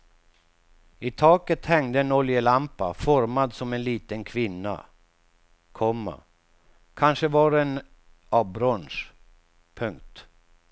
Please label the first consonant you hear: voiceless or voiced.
voiceless